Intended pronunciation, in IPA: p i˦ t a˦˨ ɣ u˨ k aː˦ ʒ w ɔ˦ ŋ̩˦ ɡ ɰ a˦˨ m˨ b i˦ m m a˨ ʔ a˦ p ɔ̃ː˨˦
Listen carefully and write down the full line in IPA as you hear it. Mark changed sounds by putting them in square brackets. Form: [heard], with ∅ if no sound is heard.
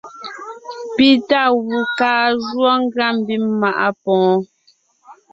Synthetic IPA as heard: p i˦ t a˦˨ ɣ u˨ k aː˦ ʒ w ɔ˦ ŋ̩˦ ɡ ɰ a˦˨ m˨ b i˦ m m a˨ ʔ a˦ p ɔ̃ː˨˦